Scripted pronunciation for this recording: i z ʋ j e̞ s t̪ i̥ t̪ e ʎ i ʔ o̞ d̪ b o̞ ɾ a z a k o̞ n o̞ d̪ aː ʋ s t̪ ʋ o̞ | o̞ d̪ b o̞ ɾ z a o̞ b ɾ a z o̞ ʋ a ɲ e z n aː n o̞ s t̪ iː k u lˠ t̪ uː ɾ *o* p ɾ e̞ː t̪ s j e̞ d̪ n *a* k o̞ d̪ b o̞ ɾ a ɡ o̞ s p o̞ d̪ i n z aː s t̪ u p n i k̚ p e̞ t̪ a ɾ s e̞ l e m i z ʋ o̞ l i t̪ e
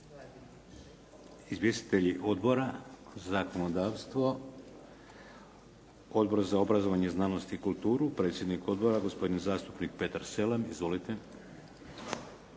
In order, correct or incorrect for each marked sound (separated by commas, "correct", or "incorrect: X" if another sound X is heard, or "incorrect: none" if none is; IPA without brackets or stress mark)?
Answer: incorrect: u, incorrect: i